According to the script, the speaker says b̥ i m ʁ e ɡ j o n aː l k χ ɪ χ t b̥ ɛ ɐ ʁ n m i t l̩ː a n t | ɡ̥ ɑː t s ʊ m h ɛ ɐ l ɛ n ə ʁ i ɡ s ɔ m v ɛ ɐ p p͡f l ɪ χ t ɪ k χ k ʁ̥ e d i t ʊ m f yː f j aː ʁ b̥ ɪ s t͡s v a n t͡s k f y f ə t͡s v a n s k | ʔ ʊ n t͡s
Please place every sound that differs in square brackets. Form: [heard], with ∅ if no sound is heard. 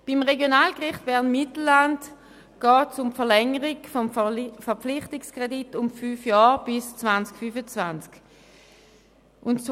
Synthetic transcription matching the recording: b̥ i m ʁ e ɡ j o n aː l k [ʁ] ɪ χ t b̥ ɛ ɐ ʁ n m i t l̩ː a n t | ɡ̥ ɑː t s ʊ m [f] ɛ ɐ l ɛ [ŋ] ə ʁ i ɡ [f] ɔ m [f] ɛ ɐ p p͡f l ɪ χ t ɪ k [s] k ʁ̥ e d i t ʊ m f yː f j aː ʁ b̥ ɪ s t͡s v a n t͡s k f y f ə t͡s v a n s k | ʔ ʊ n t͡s